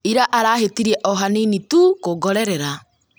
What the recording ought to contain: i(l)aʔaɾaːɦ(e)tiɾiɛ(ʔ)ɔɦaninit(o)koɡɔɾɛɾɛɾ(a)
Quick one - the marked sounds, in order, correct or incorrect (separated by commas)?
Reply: incorrect, correct, correct, incorrect, correct